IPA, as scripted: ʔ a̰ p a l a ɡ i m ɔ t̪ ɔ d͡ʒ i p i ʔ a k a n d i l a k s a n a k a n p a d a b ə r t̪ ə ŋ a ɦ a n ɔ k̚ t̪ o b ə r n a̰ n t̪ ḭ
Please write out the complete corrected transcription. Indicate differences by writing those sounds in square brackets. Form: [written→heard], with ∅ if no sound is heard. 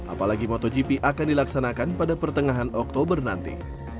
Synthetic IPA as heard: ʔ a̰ p a l a ɡ i m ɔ t̪ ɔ d͡ʒ i p i ʔ a k a n d i l a k s a n a k a n p a d a [b→p] ə r t̪ ə ŋ a ɦ a n ɔ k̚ t̪ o b ə r n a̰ n t̪ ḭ